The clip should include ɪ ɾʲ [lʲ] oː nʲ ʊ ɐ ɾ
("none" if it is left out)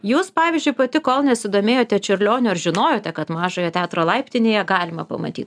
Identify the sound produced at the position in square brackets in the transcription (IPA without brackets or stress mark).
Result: lʲ